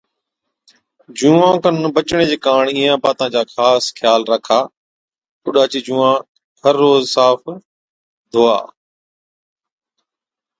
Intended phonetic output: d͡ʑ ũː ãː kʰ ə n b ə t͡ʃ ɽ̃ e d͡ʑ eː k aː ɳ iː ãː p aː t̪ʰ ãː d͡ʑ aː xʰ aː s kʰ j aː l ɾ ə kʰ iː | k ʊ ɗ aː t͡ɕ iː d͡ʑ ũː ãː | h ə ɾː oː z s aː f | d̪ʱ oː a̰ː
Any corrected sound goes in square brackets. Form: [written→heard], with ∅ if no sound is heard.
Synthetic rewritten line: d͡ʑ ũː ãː [kʰ→k] ə n b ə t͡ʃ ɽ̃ e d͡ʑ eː k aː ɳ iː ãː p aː [t̪ʰ→t̪] ãː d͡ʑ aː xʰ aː s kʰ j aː l ɾ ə kʰ [iː→aː] | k ʊ ɗ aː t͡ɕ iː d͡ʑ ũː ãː | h ə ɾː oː z s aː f | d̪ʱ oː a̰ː